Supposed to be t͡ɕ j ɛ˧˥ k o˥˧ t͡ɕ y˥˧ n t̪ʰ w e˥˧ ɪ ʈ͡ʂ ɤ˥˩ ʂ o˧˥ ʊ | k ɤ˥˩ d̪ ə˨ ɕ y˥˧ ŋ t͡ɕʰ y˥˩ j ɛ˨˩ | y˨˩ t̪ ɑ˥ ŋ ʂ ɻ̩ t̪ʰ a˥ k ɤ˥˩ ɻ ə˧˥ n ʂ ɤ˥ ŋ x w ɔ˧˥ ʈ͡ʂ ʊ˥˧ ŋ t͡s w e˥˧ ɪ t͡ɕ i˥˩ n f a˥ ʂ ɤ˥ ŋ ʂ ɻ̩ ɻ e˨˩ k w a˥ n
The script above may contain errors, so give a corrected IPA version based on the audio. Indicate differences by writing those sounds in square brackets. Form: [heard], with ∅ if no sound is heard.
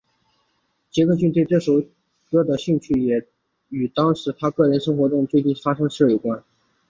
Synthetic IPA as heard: t͡ɕ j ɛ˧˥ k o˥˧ t͡ɕ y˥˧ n [t̪] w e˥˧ ɪ ʈ͡ʂ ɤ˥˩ ʂ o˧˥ ʊ | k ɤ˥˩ d̪ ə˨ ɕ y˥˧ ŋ t͡ɕʰ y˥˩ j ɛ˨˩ | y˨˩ t̪ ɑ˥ ŋ ʂ ɻ̩ t̪ʰ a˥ k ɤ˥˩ ɻ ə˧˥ n ʂ ɤ˥ ŋ x w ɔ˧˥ ʈ͡ʂ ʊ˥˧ ŋ t͡s w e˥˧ ɪ t͡ɕ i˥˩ n f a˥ ʂ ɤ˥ ŋ ʂ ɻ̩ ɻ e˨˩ k w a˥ n